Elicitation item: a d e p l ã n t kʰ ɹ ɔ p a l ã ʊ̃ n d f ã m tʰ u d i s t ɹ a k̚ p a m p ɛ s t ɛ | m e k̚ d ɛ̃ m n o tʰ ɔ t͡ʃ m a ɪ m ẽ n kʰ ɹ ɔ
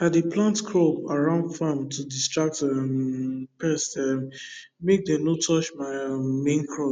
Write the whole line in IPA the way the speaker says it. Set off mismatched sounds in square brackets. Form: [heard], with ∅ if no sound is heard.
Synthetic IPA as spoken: a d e p l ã n t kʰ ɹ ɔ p a [ɹ] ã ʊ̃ n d f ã m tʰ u d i s t ɹ a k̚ [t] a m p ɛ s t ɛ | m e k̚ d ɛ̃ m n o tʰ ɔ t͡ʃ m a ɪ m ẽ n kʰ ɹ ɔ